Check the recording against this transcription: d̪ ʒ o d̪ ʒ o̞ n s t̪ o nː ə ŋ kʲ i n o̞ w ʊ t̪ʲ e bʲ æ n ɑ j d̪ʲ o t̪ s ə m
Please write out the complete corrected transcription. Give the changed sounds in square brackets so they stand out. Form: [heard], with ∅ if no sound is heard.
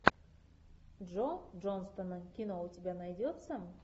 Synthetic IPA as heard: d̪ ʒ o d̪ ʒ o̞ n s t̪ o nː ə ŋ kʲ i n o̞ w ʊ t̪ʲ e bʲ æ n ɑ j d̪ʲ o t̪ s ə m